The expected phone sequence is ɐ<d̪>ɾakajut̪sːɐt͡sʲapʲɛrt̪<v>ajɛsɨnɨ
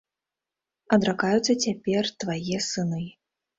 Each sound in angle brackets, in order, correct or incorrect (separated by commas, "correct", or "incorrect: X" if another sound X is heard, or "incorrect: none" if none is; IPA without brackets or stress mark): correct, correct